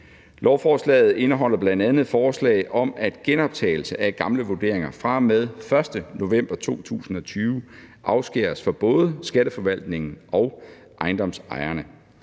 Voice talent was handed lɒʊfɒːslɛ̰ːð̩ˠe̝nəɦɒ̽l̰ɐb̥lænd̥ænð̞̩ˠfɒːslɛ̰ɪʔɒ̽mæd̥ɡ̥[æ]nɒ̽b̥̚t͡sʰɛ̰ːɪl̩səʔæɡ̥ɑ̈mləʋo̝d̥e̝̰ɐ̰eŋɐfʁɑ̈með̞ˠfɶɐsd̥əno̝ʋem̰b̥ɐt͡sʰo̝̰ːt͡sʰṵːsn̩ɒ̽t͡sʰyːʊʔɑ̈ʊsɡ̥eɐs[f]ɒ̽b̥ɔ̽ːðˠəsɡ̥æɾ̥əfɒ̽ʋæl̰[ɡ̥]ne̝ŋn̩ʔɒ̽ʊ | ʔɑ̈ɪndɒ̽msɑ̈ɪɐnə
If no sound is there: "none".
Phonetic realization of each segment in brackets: e, f, d̥

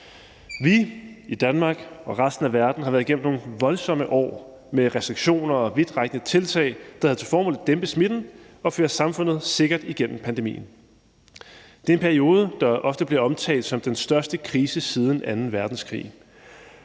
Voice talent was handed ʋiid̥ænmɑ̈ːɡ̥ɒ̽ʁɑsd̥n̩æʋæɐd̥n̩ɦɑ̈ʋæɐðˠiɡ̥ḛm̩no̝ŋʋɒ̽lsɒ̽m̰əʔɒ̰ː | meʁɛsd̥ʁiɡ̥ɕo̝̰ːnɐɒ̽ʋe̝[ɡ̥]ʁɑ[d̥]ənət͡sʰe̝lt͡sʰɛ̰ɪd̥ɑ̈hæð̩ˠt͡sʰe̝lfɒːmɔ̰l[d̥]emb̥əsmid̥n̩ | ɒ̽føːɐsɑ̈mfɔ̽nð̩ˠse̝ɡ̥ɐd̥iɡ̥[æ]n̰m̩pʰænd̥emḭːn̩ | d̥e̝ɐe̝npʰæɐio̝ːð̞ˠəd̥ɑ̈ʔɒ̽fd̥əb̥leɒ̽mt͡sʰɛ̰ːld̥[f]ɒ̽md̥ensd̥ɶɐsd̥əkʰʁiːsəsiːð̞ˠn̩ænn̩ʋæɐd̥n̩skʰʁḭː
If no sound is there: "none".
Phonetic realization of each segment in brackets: d̥, ɡ̥, d̥, e, s

